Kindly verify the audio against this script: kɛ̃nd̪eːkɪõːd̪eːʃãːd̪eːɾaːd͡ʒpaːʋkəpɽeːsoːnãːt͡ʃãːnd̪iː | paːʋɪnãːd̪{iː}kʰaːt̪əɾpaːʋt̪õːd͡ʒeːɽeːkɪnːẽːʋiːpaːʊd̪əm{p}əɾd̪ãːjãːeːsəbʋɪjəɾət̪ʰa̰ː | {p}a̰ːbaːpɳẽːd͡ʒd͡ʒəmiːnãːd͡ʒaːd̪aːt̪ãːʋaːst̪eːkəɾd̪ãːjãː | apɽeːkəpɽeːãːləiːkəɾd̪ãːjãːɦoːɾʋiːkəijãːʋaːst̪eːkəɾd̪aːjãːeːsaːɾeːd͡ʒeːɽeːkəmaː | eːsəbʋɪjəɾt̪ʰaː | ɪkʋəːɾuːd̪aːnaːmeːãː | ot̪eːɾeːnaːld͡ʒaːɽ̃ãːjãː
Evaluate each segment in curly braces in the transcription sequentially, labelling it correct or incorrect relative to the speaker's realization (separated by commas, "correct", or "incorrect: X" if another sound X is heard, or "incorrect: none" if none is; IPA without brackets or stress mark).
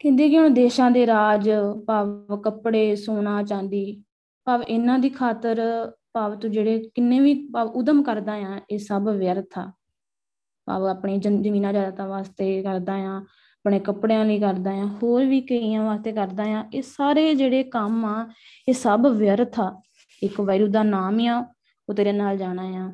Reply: correct, incorrect: k, correct